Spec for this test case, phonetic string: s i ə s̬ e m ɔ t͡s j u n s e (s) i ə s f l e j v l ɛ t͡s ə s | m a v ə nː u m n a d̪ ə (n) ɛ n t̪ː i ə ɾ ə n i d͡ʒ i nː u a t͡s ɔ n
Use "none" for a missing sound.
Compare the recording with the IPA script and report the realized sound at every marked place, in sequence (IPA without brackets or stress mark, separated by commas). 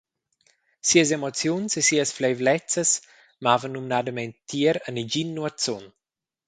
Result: s, m